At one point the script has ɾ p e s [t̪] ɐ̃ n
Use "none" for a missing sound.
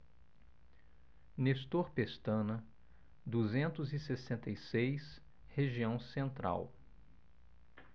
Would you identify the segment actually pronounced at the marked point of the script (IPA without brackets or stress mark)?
t̪